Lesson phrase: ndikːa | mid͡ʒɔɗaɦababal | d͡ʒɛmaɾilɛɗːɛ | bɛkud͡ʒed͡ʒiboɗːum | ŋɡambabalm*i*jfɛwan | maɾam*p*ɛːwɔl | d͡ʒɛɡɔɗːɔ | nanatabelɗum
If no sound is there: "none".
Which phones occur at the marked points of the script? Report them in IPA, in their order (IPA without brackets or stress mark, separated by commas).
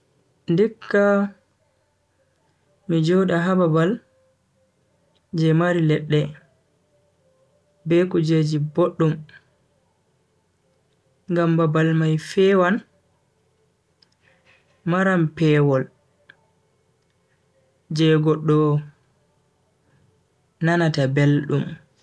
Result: a, p